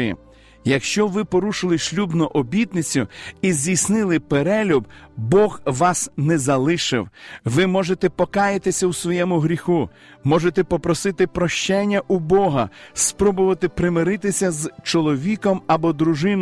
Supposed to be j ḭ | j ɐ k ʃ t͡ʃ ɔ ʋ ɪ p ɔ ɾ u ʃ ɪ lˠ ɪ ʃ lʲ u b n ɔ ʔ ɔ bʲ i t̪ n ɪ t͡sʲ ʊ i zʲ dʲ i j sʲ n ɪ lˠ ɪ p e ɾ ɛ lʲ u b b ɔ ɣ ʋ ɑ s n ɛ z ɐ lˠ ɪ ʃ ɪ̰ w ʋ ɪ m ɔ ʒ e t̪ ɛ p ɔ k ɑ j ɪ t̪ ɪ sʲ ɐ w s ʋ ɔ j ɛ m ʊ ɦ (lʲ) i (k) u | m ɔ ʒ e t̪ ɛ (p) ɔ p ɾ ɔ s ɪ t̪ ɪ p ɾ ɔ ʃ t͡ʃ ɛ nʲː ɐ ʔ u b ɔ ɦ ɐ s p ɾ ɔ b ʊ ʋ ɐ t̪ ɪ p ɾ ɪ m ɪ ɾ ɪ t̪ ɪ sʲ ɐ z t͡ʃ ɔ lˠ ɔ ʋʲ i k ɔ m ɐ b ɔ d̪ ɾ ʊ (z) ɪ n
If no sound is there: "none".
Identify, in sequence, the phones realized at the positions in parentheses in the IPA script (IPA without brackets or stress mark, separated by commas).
ɾʲ, x, p, ʒ